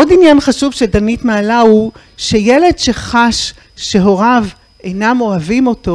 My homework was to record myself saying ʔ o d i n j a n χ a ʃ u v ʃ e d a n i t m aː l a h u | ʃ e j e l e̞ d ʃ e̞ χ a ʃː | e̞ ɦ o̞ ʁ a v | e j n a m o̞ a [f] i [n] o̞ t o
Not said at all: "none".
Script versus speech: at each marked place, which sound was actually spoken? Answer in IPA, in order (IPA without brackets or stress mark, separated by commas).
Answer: v, m